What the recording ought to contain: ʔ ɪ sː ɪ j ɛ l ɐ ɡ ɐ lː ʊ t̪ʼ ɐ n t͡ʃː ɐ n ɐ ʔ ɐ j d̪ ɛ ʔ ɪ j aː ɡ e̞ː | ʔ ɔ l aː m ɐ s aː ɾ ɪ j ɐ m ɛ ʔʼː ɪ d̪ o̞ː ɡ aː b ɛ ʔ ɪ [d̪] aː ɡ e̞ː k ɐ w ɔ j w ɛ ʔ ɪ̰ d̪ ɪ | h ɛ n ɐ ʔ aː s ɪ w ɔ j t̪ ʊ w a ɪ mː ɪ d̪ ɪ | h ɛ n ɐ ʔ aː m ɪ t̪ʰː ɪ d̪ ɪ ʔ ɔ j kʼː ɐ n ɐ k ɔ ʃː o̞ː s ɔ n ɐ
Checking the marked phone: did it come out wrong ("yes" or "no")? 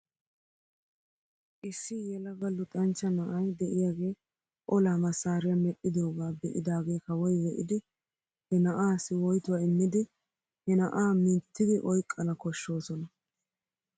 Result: no